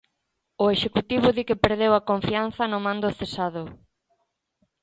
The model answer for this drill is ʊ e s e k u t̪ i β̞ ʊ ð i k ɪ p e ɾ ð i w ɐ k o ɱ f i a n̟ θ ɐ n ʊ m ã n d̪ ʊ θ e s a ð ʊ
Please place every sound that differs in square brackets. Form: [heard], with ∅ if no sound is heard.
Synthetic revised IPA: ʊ e [ʃ] e k u t̪ i β̞ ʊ ð i k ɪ p e ɾ ð [e] w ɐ k o ɱ f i a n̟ θ ɐ n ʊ m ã n d̪ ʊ θ e s a ð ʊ